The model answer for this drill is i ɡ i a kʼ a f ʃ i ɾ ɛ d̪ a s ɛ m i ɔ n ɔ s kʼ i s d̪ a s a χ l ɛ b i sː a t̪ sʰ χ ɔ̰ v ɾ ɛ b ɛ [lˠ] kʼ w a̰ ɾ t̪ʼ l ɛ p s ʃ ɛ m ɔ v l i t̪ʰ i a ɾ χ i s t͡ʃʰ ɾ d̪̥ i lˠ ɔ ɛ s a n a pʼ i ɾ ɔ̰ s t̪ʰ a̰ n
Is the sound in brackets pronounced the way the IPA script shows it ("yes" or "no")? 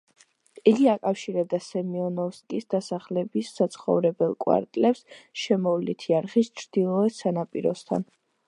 yes